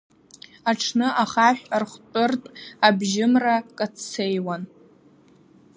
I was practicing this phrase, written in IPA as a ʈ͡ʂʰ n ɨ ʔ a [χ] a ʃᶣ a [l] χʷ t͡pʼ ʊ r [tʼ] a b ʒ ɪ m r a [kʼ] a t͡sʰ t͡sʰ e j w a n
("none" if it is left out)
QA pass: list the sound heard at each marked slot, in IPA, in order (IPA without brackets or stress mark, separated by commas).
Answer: χ, r, tʼ, kʼ